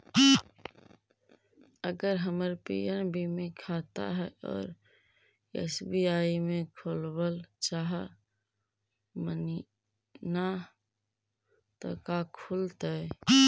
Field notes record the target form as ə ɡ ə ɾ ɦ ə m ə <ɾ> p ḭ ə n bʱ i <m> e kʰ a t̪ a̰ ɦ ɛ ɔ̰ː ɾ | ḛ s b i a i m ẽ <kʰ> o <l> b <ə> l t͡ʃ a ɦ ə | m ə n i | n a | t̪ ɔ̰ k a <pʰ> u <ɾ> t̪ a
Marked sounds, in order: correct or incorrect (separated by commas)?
correct, correct, correct, correct, correct, incorrect, incorrect